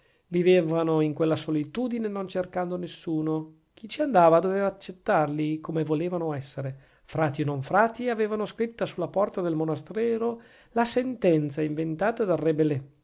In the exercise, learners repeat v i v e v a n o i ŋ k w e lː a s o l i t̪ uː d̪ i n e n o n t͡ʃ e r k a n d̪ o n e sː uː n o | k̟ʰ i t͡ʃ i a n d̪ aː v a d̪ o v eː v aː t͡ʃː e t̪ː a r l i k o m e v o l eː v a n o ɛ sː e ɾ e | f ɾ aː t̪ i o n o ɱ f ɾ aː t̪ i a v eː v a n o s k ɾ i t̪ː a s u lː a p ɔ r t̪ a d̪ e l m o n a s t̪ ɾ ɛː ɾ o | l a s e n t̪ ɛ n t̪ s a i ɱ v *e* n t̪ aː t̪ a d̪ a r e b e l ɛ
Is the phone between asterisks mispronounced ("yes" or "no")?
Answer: no